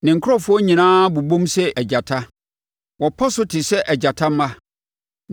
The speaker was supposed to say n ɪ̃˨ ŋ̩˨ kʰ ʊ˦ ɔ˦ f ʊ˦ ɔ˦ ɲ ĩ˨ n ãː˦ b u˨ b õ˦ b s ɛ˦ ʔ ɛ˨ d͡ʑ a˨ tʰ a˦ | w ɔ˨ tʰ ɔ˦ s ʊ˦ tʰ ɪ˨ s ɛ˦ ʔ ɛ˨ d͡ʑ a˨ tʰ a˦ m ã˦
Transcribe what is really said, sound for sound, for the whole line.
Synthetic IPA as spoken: n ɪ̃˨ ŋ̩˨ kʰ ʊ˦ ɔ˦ f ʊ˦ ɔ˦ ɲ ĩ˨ n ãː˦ b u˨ b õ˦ m s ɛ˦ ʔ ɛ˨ d͡ʑ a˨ tʰ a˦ | w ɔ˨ pʰ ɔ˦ s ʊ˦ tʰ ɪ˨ s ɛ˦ ʔ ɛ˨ d͡ʑ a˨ tʰ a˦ m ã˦